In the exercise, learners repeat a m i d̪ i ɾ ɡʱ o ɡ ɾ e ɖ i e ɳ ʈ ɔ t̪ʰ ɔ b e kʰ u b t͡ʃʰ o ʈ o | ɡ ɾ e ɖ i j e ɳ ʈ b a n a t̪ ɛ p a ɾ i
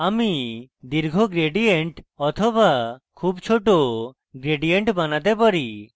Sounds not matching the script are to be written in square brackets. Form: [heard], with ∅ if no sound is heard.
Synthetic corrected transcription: a m i d̪ i ɾ ɡʱ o ɡ ɾ e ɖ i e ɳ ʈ ɔ t̪ʰ ɔ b [a] kʰ u b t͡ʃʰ o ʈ o | ɡ ɾ e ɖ i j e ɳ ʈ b a n a t̪ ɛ p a ɾ i